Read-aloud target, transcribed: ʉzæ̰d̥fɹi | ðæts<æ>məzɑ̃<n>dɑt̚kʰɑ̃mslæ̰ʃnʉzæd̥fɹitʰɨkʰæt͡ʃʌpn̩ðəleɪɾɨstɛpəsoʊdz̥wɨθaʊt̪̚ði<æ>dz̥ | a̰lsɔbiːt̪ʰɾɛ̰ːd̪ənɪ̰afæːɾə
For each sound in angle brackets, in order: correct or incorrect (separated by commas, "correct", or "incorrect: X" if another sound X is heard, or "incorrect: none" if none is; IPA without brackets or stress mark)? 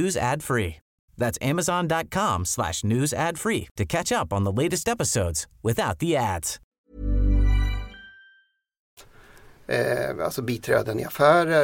correct, correct, correct